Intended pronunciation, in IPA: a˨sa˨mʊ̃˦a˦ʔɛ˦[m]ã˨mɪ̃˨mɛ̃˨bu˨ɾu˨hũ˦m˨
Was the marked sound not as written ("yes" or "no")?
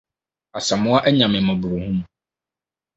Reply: yes